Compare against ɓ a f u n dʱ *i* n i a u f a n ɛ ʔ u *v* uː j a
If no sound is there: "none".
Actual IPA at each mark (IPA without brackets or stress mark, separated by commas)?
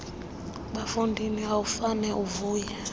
i, v